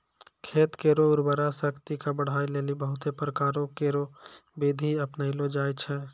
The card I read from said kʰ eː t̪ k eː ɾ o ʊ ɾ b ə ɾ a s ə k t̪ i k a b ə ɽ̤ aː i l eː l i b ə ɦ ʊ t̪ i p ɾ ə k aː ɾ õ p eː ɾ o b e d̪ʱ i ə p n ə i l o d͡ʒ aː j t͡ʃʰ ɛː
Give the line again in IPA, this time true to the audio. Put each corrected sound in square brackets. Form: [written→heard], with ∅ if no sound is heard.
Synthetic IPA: kʰ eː t̪ k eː ɾ o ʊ ɾ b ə ɾ a s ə k t̪ i k a b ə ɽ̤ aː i l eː l i b ə ɦ ʊ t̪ [i→e] p ɾ ə k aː ɾ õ [p→k] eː ɾ o b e d̪ʱ i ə p n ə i l o d͡ʒ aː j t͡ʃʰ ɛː